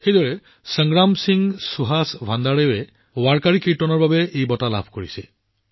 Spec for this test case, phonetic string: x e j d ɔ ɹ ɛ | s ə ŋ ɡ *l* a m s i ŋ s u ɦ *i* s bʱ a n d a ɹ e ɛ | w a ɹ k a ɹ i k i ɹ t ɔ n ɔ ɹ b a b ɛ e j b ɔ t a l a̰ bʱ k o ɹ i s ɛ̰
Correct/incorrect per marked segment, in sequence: incorrect: ɹ, incorrect: a

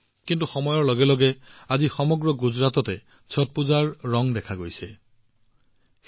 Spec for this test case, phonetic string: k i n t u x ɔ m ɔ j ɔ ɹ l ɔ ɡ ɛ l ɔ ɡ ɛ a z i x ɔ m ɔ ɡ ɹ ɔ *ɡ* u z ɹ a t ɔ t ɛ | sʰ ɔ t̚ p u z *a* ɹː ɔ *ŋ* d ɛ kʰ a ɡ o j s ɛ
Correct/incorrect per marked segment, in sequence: correct, correct, correct

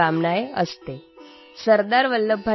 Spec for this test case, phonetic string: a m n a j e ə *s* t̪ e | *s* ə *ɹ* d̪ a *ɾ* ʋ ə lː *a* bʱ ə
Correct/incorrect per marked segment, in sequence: correct, correct, incorrect: ɾ, correct, incorrect: ə

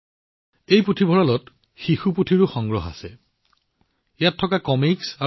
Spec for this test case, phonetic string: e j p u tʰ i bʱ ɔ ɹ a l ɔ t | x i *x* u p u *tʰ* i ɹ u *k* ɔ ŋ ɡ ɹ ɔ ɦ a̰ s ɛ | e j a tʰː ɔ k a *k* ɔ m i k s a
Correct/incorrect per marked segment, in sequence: correct, correct, incorrect: x, correct

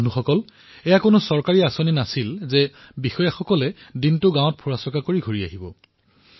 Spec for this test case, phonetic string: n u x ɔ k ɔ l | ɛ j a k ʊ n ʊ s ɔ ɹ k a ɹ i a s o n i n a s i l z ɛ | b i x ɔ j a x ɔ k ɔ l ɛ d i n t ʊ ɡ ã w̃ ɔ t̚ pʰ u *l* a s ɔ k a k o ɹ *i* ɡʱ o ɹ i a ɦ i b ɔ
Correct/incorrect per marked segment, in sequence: incorrect: ɹ, correct

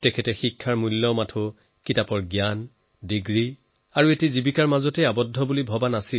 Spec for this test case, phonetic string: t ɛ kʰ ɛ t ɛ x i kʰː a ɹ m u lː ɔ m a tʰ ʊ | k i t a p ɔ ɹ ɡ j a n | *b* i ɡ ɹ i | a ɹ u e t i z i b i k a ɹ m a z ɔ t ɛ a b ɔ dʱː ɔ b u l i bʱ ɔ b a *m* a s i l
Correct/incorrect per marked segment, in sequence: incorrect: d, incorrect: n

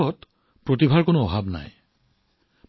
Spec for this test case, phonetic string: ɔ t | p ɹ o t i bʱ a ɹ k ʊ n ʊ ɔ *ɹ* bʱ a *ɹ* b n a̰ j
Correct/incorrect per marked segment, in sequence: incorrect: none, incorrect: none

